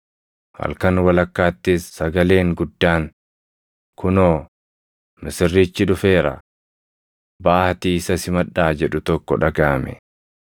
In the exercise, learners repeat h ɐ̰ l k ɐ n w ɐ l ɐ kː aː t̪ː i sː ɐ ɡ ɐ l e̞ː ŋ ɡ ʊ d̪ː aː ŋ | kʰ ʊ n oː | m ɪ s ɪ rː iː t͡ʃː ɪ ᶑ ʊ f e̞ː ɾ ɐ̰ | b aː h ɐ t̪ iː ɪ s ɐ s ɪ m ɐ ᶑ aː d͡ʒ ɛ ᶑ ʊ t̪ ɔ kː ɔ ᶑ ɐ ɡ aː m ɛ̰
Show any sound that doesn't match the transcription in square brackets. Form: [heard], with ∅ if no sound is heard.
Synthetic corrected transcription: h ɐ̰ l k ɐ n w ɐ l ɐ kː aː t̪ː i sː ɐ ɡ ɐ l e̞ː ŋ ɡ ʊ d̪ː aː ŋ | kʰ ʊ n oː | m ɪ s ɪ rː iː t͡ʃː ɪ ᶑ ʊ f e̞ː ɾ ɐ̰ | b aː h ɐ t̪ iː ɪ s ɐ s ɪ m ɐ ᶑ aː d͡ʒ ɛ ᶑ ʊ t̪ ɔ kː ɔ ᶑ ɐ ɡ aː m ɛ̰